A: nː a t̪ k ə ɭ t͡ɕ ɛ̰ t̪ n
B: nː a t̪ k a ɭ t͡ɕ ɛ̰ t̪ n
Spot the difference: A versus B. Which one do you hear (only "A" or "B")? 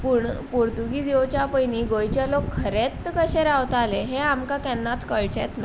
A